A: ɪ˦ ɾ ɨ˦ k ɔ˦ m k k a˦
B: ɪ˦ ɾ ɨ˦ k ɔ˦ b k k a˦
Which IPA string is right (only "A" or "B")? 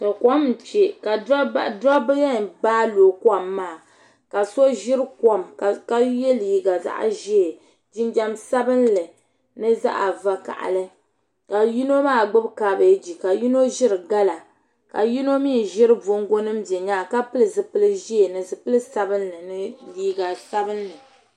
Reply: A